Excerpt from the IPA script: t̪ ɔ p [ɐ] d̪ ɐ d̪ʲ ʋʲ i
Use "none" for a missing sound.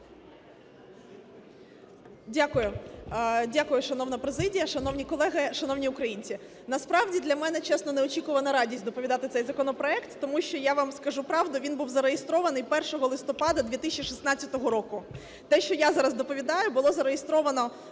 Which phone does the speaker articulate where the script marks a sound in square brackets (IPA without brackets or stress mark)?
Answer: ɑ